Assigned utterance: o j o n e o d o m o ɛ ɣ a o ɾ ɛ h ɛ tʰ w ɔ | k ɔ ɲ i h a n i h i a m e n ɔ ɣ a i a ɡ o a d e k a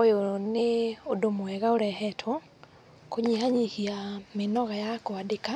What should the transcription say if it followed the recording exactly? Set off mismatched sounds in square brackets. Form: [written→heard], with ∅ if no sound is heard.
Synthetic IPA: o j o n e o d o m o ɛ ɣ a o ɾ ɛ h ɛ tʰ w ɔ | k [ɔ→o] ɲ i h a [n→ɲ] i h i a m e n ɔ ɣ a [i→j] a [ɡ→k] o a d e k a